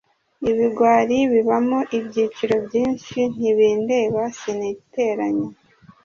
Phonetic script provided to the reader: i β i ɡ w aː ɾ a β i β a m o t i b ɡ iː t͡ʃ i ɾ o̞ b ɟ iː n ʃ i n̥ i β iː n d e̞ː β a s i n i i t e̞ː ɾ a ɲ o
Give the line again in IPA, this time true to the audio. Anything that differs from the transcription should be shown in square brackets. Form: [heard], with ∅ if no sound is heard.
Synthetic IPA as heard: i β i ɡ w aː ɾ [i] β i β a m o [ʔ] i b [ɟ] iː t͡ʃ i ɾ o̞ b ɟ iː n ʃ i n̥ i β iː n d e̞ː β a s i n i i t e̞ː ɾ a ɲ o